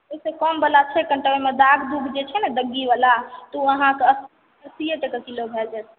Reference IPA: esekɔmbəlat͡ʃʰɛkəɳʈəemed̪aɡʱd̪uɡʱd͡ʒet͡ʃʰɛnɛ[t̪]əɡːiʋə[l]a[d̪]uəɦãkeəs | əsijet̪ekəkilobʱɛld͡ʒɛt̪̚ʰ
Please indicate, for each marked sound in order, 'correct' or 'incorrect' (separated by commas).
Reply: incorrect, correct, incorrect